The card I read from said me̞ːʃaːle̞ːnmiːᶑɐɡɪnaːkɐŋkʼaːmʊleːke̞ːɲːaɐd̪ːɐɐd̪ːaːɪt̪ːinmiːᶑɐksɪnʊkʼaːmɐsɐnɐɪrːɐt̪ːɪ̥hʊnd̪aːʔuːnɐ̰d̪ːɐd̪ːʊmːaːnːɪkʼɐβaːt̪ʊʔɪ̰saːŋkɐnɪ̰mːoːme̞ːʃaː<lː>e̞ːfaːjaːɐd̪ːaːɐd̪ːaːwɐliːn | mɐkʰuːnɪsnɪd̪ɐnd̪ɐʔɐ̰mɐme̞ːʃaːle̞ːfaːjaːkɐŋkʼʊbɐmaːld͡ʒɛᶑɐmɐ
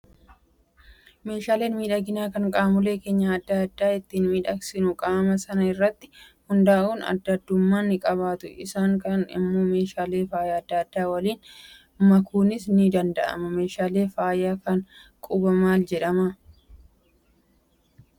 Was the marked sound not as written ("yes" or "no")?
yes